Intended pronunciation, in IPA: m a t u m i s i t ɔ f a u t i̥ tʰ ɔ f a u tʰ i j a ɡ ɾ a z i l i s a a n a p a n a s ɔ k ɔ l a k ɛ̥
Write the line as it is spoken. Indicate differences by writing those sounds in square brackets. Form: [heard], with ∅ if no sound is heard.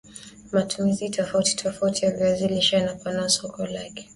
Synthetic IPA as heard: m a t u m i [z] i t ɔ f a u t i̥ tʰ ɔ f a u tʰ i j a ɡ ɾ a z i l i [ʃ] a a n a p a n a s ɔ k ɔ l a k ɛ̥